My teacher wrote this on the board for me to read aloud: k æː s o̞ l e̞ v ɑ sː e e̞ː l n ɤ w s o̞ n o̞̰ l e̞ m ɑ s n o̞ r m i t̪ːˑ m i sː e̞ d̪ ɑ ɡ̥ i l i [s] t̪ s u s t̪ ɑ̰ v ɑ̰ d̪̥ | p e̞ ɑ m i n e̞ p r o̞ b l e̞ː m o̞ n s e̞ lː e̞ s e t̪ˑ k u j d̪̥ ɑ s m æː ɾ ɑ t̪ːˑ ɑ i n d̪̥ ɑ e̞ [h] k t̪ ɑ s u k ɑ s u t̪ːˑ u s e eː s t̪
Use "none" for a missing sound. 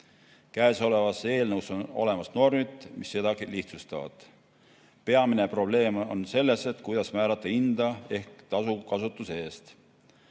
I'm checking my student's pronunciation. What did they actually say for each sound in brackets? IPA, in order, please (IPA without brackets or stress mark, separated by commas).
h, h